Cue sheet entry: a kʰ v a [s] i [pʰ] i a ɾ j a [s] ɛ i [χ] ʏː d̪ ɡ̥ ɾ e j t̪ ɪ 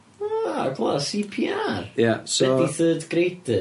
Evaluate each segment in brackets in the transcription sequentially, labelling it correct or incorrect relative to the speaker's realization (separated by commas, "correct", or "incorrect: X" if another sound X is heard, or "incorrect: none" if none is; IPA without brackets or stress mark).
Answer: correct, correct, correct, incorrect: θ